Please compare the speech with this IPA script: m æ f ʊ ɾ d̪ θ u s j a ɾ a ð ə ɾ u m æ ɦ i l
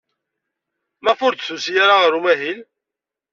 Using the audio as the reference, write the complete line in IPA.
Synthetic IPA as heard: m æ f ʊ ɾ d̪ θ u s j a ɾ a ʁ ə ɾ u m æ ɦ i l